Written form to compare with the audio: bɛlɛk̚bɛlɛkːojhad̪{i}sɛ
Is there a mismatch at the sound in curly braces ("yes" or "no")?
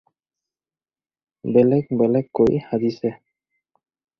no